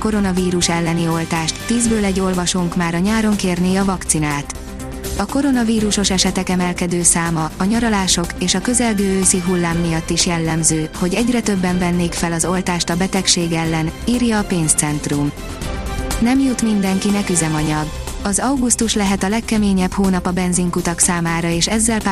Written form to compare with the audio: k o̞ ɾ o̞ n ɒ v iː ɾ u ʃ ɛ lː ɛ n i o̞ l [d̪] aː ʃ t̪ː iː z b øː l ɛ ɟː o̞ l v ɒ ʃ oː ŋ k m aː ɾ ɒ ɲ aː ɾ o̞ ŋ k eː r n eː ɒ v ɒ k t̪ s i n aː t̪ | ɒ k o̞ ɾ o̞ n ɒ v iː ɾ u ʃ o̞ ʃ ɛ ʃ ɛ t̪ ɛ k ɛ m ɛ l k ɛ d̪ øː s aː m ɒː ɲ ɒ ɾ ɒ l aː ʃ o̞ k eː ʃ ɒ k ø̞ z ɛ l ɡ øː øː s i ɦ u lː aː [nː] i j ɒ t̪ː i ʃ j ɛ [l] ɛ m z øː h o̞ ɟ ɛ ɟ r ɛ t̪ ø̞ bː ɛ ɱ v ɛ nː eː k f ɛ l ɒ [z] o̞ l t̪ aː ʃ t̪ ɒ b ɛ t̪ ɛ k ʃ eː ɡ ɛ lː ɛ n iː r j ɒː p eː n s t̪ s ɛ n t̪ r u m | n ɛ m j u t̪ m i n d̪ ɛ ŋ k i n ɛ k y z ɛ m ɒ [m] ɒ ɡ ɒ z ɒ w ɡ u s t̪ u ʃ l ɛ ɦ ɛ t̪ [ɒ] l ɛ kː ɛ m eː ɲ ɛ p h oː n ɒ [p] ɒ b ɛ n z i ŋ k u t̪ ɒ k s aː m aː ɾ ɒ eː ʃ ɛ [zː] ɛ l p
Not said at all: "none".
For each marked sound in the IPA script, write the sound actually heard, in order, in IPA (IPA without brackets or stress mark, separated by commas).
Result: t̪, mː, lː, z, ɲ, ɒ, p, zː